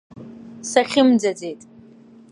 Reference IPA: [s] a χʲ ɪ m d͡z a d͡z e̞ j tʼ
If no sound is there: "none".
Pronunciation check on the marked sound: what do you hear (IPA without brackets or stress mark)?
s